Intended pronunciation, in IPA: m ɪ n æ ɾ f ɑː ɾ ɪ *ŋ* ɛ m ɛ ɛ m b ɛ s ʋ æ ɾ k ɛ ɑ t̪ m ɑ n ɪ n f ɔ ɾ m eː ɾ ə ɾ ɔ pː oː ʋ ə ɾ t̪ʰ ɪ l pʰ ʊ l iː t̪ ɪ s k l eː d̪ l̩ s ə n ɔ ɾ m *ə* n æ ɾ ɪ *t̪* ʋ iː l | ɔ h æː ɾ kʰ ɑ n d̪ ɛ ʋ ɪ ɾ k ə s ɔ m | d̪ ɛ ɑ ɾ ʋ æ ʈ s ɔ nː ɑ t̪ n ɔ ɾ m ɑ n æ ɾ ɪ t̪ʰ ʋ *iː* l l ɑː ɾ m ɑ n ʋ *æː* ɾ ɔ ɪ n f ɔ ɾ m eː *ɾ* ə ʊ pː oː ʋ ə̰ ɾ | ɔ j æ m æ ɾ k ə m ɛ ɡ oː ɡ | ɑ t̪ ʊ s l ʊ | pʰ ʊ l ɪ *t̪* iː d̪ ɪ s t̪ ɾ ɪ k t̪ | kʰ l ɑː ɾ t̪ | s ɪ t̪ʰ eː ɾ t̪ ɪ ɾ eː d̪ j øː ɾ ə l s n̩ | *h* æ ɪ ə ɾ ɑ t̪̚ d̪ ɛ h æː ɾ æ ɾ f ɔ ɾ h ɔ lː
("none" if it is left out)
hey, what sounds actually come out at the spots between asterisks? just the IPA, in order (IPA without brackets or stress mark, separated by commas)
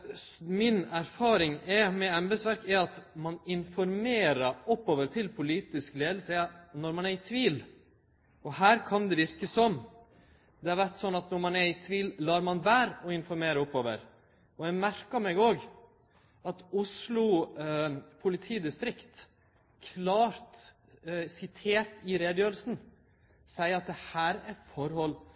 ŋ, ɑ, t̪ʰ, iː, æː, ɾ, t̪ʰ, s